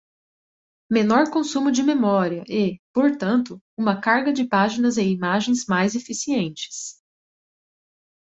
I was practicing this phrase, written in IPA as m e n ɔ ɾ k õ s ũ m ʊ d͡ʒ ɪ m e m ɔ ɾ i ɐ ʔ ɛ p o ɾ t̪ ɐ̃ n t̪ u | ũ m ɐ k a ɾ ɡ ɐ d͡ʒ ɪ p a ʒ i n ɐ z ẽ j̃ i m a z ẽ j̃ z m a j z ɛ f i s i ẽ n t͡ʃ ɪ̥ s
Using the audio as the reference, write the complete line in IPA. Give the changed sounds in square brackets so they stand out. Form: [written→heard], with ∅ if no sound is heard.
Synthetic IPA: m e n ɔ ɾ k õ s ũ m ʊ d͡ʒ ɪ m e m ɔ ɾ i ɐ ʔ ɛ p o ɾ t̪ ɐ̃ n t̪ [u→ʊ] | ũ m ɐ k a ɾ ɡ ɐ d͡ʒ ɪ p a ʒ i n ɐ z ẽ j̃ i m a [z→ʒ] ẽ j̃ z m a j z [ɛ→e] f i s i ẽ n t͡ʃ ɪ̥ s